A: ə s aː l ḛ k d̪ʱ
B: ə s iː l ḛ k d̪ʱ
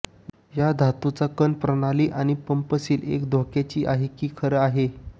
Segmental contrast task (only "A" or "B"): B